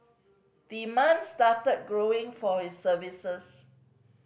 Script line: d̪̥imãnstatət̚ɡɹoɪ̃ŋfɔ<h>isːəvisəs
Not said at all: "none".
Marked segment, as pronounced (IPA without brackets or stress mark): h